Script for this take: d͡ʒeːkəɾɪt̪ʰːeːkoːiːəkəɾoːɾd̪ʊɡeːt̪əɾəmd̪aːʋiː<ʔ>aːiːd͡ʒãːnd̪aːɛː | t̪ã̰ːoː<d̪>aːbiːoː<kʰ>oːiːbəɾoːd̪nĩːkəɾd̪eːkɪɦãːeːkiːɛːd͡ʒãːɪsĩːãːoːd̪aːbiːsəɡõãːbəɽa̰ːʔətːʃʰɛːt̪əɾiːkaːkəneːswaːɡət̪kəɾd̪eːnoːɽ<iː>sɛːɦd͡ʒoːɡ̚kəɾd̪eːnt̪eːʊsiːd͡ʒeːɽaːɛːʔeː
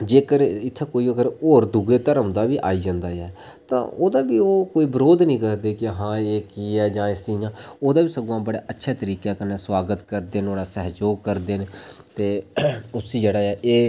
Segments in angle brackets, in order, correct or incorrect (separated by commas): correct, correct, incorrect, incorrect